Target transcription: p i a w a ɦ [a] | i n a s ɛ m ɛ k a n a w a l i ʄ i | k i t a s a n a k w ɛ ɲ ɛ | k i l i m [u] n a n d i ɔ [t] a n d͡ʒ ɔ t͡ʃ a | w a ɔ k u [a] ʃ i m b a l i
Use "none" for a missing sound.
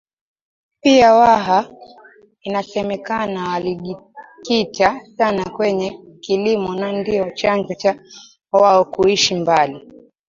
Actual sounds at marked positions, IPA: a, ɔ, t͡ʃ, i

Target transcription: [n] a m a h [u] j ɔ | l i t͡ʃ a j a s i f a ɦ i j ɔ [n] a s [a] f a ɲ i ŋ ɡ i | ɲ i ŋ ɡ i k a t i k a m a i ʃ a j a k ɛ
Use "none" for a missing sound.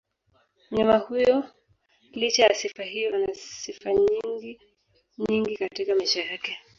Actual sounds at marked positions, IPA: ɲ, u, n, i

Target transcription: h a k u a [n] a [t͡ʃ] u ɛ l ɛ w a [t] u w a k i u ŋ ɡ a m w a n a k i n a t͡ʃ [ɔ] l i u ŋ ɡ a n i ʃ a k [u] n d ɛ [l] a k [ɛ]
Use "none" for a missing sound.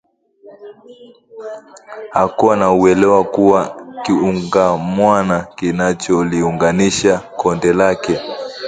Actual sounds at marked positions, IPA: n, none, k, ɔ, ɔ, l, ɛ

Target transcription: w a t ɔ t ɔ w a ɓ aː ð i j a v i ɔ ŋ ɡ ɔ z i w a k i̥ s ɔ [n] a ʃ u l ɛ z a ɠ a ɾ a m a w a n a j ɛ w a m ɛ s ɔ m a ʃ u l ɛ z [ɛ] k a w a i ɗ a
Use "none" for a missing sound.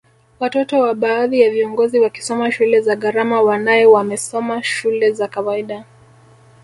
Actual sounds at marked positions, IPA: m, a

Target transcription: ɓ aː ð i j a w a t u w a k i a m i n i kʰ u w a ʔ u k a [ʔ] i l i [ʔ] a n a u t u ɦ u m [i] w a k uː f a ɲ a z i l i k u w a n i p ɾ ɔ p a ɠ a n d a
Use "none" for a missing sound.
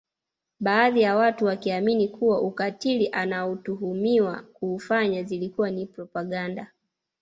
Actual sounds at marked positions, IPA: t, ʔ, i

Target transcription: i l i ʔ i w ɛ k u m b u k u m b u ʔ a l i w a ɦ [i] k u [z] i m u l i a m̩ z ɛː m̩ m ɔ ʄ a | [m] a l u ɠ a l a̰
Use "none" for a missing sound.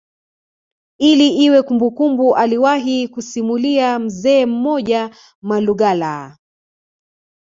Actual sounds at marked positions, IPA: i, s, m

